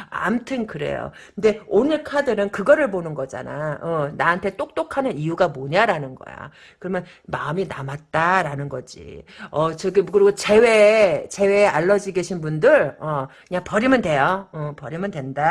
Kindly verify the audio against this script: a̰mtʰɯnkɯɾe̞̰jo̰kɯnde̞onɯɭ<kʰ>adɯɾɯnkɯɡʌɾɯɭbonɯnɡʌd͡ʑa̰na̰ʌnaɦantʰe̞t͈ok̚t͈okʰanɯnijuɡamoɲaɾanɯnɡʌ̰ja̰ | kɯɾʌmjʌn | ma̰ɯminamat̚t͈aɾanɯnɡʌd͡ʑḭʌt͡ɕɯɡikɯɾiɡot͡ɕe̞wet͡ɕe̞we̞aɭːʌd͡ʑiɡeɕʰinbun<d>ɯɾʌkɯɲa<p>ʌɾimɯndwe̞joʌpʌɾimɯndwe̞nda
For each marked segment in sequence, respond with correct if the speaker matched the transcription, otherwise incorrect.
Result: correct, correct, correct

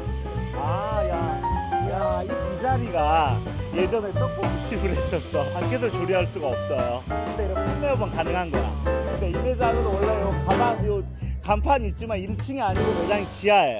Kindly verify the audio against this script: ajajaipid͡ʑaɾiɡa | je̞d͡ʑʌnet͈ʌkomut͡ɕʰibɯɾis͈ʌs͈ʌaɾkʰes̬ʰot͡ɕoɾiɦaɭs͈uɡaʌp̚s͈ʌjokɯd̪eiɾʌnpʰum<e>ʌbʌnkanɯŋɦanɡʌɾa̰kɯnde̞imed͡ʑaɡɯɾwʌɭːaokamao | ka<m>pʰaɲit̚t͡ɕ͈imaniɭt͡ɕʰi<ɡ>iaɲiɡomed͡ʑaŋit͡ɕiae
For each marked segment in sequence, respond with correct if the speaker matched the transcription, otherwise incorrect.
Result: correct, correct, incorrect: ŋ

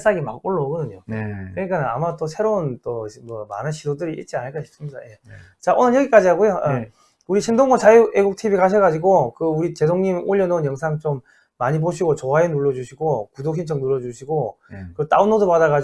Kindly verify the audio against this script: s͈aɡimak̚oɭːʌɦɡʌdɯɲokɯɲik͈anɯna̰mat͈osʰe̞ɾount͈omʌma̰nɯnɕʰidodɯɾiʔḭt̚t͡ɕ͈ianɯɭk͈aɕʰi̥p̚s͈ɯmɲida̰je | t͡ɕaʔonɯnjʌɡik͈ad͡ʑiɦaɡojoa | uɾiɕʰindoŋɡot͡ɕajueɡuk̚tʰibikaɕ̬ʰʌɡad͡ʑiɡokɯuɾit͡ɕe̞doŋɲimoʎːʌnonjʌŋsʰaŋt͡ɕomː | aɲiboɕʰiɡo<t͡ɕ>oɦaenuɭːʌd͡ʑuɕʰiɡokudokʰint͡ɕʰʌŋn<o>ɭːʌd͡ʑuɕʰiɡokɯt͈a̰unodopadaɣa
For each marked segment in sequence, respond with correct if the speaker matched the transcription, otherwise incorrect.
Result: correct, incorrect: u

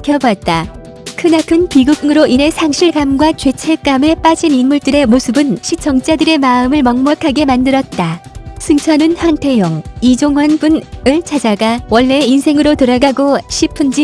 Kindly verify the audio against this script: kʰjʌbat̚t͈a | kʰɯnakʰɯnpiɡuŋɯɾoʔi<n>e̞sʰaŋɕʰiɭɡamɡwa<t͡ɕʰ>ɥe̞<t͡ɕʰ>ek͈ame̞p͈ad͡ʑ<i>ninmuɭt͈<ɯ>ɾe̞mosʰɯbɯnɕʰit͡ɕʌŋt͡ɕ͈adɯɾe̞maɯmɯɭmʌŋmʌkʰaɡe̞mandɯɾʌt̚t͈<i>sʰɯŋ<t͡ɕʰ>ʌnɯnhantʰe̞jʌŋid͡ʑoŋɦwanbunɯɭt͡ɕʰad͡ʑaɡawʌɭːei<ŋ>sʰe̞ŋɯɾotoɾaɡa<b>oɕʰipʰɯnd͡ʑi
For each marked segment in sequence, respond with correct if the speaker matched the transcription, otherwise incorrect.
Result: correct, incorrect: t͡ɕ, correct, correct, correct, incorrect: a, correct, incorrect: n, incorrect: ɡ

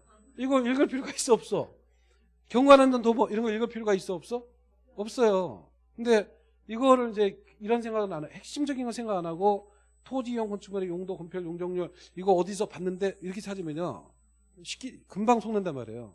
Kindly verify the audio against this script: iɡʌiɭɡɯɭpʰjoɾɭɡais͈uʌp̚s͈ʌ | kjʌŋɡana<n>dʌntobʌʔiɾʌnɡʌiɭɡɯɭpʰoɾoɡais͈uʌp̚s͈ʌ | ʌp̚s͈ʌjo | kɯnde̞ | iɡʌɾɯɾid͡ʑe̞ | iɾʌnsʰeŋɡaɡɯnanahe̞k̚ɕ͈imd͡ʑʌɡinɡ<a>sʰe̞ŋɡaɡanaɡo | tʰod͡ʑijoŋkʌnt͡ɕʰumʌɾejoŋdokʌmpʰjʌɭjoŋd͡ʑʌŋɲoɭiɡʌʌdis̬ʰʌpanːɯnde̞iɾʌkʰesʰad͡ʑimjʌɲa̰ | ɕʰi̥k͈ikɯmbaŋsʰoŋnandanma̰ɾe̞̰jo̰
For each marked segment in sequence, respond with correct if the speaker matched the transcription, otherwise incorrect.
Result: correct, incorrect: ʌ

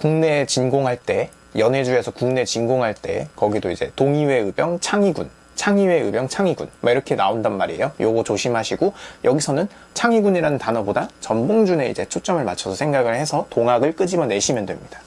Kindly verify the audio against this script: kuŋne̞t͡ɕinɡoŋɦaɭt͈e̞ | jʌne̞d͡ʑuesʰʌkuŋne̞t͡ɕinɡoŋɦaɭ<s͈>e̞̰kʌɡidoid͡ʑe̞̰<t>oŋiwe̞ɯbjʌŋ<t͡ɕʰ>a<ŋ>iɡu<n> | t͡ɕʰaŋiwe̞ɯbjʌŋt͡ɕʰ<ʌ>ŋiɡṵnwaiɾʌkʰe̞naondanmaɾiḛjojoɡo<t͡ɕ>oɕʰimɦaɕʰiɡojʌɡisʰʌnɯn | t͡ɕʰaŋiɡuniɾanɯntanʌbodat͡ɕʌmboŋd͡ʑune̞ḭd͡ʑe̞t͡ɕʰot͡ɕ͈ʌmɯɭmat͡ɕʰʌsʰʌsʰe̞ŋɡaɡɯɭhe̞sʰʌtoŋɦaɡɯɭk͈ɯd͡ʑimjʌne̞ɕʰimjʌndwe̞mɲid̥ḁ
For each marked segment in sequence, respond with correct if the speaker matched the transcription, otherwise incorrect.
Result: incorrect: t͈, correct, correct, correct, correct, incorrect: a, correct

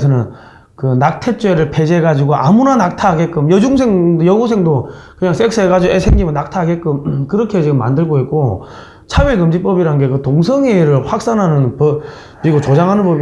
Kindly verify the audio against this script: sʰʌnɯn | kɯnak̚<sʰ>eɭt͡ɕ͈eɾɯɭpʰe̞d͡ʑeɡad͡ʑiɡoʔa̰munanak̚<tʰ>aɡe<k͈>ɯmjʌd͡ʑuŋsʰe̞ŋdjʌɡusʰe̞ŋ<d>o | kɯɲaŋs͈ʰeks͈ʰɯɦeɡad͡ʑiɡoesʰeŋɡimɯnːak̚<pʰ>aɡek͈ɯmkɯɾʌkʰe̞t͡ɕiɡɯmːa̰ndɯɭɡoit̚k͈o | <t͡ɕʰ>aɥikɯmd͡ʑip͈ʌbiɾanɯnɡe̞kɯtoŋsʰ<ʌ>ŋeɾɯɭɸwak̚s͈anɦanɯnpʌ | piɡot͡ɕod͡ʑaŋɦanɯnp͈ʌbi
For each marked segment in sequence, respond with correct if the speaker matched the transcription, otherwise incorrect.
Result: incorrect: tʰ, correct, correct, correct, incorrect: tʰ, correct, correct

